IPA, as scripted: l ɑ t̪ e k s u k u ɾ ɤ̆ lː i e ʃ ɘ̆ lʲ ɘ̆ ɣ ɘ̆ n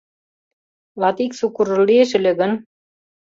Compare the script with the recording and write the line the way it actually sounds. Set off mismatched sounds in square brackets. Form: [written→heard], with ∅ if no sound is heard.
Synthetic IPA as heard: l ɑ t̪ [e→i] k s u k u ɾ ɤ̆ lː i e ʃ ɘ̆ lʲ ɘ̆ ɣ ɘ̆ n